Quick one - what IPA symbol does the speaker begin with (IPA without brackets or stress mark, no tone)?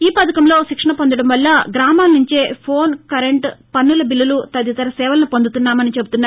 iː